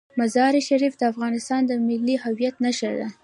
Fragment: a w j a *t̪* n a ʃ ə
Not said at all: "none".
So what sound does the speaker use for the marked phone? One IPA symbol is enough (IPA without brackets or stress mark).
t̪